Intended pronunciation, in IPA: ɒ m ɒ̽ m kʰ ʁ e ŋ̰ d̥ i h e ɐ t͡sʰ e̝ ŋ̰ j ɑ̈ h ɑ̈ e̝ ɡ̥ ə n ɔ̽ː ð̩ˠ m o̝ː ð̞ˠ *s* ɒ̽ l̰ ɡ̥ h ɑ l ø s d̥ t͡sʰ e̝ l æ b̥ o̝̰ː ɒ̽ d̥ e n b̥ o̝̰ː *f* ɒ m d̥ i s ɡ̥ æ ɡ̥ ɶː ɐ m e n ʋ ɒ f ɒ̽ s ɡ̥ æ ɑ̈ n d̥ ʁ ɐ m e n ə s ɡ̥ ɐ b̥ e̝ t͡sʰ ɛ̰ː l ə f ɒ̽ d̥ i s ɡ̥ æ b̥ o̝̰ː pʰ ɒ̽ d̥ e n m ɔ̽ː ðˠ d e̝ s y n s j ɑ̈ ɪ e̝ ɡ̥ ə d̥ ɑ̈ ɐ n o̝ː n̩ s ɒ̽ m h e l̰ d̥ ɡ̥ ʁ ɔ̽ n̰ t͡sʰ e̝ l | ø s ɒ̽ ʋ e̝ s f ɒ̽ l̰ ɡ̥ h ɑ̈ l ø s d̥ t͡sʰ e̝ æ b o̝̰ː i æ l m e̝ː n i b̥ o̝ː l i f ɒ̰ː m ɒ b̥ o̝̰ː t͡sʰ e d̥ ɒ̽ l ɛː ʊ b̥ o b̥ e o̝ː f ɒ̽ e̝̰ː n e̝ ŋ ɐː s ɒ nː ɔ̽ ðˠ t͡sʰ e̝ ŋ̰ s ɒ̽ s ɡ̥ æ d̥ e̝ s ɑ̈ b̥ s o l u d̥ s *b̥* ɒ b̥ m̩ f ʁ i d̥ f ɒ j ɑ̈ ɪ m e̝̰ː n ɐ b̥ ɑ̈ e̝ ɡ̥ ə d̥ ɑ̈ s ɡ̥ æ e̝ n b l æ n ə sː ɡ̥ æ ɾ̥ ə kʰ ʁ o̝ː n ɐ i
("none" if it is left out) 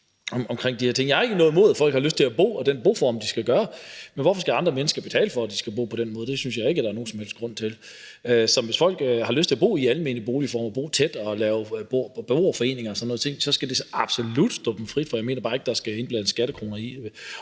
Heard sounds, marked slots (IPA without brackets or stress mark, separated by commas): f, f, d̥